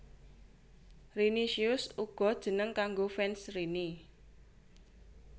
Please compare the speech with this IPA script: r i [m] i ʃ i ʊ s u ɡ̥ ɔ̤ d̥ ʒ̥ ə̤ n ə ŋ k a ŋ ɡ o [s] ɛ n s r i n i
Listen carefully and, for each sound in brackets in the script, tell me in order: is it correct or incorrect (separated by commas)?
incorrect, incorrect